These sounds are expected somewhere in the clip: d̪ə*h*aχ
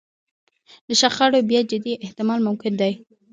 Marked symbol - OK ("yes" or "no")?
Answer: no